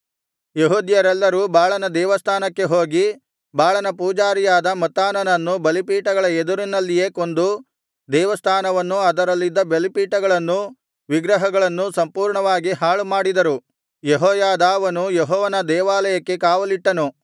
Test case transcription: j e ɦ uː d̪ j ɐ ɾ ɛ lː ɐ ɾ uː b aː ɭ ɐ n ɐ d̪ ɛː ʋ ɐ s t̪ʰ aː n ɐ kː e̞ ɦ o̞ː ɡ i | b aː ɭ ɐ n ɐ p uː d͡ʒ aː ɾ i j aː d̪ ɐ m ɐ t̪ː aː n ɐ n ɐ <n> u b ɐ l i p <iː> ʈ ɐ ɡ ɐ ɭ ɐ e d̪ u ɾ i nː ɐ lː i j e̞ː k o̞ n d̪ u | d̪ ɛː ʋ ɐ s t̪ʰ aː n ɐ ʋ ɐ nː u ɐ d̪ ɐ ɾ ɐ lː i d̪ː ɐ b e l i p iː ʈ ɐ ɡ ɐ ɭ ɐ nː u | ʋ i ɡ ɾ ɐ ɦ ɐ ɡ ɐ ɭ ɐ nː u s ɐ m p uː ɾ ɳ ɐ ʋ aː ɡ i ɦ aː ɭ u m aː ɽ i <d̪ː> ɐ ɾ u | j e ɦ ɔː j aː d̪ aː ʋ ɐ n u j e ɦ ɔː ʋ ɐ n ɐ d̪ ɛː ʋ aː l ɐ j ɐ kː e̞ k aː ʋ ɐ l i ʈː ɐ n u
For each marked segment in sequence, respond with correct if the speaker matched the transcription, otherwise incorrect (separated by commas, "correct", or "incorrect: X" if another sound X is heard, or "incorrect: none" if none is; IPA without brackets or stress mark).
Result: incorrect: nː, correct, incorrect: d̪